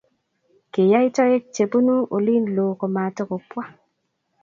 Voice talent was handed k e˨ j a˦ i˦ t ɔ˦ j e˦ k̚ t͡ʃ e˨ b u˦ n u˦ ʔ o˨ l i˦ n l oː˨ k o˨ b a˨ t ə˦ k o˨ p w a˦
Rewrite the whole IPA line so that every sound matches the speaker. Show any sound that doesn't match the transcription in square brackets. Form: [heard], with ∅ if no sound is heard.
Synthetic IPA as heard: k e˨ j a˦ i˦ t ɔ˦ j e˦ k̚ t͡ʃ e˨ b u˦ n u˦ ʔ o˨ l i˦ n l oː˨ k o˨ [m] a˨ t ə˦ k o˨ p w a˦